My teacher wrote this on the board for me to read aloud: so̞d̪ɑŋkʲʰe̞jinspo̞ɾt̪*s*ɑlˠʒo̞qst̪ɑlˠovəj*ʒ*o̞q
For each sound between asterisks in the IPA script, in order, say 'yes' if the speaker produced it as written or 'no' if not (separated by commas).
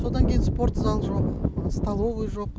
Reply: no, yes